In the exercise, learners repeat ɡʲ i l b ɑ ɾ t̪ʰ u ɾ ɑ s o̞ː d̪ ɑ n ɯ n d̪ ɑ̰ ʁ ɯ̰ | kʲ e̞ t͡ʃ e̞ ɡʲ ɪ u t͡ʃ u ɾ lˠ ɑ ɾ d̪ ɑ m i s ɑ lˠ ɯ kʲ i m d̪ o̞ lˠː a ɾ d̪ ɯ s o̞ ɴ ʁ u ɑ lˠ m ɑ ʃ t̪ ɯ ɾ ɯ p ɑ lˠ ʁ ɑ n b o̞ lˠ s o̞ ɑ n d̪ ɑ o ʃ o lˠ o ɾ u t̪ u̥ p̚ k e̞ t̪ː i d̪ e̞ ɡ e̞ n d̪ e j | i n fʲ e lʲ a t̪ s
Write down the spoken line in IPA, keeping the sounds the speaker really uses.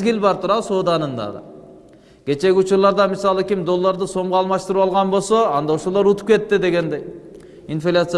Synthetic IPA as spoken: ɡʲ i l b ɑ ɾ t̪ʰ u ɾ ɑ s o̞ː d̪ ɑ n ɯ n d̪ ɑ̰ ʁ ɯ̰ | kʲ e̞ t͡ʃ e̞ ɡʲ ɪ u t͡ʃ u ɾ lˠ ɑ ɾ d̪ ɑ m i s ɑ lˠ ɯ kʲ i m d̪ o̞ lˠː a ɾ d̪ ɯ s o̞ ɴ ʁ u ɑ lˠ m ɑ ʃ t̪ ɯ ɾ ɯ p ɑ lˠ ʁ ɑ n b o̞ lˠ s o̞ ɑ n d̪ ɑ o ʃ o lˠ o ɾ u t̪ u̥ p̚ k e̞ t̪ː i d̪ e̞ ɡ e̞ n d̪ e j | i n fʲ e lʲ a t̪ s